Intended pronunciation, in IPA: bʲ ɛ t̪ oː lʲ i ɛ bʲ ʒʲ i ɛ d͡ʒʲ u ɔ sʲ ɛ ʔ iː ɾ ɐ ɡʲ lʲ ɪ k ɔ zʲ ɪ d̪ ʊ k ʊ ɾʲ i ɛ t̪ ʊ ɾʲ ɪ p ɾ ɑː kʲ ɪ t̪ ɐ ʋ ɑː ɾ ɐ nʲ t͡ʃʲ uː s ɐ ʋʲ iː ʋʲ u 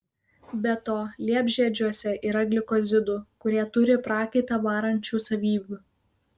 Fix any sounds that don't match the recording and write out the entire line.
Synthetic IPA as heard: bʲ ɛ t̪ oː lʲ i ɛ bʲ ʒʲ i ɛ d͡ʒʲ u ɔ sʲ ɛ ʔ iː ɾ ɐ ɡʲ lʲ ɪ k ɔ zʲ ɪ d̪ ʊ k ʊ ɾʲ i ɛ t̪ ʊ ɾʲ ɪ p ɾ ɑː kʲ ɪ t̪ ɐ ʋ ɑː ɾ ɐ nʲ t͡ʃʲ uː s ɐ ʋʲ iː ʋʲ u